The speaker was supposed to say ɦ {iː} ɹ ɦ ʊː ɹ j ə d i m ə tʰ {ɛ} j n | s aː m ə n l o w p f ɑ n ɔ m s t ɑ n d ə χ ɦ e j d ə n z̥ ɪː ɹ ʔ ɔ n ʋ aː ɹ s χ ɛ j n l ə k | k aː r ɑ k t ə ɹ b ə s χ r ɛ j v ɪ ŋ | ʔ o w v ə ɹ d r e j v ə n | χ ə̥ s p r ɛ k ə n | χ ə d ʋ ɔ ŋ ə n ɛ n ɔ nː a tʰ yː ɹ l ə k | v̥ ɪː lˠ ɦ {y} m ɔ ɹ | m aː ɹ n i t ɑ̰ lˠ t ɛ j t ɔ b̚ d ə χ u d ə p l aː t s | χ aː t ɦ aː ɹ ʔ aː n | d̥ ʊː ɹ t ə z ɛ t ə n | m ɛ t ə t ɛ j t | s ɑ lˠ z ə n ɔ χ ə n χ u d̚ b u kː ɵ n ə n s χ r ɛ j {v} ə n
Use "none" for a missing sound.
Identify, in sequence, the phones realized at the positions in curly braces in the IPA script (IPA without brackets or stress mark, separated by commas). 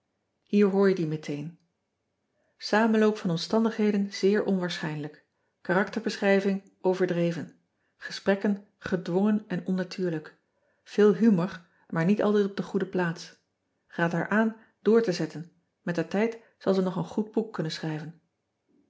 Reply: iː, e, y, v